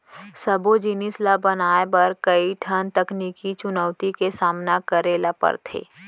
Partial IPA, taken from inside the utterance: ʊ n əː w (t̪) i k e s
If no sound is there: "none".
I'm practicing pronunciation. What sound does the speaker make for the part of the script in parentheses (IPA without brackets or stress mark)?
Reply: t̪